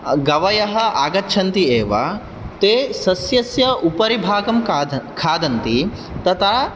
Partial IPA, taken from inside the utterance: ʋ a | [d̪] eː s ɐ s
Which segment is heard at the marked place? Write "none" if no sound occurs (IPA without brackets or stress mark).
t̪